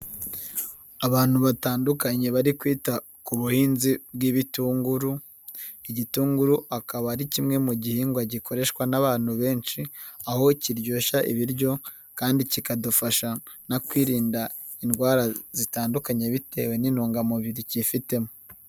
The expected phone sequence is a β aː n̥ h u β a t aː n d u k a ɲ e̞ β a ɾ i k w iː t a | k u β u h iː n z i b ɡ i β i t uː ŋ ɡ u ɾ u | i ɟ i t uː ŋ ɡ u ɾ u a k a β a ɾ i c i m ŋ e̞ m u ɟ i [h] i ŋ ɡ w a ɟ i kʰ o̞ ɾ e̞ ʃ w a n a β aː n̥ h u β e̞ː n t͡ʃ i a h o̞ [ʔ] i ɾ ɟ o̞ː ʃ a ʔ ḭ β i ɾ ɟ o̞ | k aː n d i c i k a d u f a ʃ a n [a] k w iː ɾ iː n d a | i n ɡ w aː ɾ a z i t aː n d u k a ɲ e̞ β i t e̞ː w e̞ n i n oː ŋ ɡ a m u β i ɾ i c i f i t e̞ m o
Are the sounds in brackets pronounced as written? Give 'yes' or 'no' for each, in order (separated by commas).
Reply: yes, no, yes